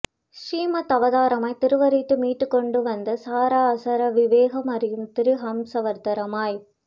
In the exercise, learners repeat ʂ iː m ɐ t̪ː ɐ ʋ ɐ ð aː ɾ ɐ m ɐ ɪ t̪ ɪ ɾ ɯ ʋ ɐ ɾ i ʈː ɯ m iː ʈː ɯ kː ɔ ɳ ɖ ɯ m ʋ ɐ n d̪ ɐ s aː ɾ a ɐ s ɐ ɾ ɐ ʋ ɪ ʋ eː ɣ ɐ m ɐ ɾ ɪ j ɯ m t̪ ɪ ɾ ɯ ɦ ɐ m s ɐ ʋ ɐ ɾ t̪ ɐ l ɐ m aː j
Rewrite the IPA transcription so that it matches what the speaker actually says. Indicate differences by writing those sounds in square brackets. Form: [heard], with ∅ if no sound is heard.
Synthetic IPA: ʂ iː m ɐ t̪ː ɐ ʋ ɐ ð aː ɾ ɐ m ɐ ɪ t̪ ɪ ɾ ɯ ʋ ɐ ɾ i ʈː ɯ m iː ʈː ɯ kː ɔ ɳ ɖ ɯ [∅] ʋ ɐ n d̪ ɐ s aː ɾ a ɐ s ɐ ɾ ɐ ʋ ɪ ʋ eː ɣ ɐ m ɐ ɾ ɪ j ɯ m t̪ ɪ ɾ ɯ ɦ ɐ m s ɐ ʋ ɐ ɾ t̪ ɐ [ɾ] ɐ m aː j